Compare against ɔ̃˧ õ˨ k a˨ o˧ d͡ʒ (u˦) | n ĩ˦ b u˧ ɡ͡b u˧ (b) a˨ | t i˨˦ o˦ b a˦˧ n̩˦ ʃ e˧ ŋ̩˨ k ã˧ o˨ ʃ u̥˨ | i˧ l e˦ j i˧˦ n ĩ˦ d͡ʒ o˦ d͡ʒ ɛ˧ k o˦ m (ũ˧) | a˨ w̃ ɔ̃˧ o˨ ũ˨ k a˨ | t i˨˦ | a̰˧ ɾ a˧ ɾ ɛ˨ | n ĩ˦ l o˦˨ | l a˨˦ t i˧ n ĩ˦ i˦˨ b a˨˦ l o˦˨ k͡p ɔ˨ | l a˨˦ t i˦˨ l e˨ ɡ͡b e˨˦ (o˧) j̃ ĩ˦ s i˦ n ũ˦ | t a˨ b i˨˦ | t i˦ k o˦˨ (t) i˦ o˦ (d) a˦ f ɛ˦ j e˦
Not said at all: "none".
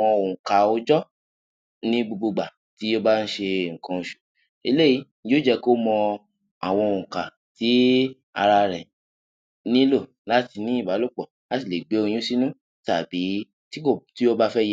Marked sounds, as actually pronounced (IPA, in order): ɔ˦, ɡ͡b, ɔ̃˧, o˧, t, b

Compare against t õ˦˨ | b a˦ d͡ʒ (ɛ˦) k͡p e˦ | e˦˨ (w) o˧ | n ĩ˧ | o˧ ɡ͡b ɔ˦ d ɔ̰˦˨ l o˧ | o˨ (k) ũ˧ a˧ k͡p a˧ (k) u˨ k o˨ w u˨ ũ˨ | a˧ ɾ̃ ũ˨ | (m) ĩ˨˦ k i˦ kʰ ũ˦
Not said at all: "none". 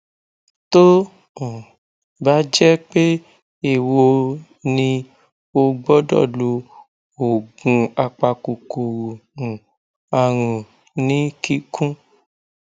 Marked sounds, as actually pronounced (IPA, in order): ɛ˦, w, ɡ, k, n

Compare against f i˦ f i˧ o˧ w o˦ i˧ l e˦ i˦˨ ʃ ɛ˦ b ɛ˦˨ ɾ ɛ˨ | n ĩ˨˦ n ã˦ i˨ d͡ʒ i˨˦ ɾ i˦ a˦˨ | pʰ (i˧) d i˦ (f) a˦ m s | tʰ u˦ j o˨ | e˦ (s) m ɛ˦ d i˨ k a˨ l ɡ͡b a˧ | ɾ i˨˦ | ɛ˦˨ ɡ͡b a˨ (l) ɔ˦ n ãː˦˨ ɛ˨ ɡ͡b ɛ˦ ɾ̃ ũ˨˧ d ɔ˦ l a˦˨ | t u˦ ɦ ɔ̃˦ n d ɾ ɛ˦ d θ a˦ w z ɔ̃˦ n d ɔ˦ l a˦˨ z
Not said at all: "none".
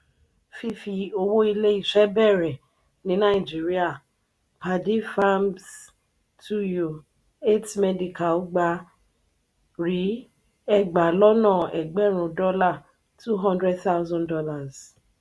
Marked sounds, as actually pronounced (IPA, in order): a˧, f, t, l

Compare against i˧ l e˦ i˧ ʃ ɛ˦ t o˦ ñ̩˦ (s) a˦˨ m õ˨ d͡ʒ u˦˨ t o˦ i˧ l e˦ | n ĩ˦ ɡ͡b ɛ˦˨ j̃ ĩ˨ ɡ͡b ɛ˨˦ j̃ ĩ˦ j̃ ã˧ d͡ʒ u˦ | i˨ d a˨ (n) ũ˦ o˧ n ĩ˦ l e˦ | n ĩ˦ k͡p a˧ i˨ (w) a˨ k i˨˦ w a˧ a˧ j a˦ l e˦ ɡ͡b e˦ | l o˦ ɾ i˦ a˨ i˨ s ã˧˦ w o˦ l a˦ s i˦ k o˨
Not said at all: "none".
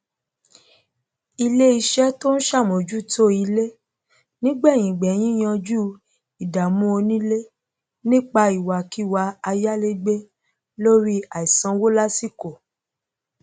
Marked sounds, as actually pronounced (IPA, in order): ʃ, m, w

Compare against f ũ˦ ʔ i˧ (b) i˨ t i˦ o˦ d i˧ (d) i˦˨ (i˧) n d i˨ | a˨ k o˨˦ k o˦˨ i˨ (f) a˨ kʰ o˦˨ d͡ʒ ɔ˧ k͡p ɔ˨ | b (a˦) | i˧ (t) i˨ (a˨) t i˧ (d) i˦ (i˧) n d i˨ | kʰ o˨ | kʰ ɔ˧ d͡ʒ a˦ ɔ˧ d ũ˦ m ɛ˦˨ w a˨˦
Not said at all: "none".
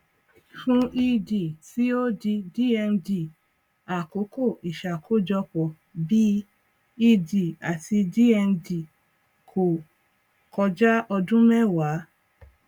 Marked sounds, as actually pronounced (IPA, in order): d, d, ɛ˧, ʃ, i˦, d, a˨, d, ɛ˧

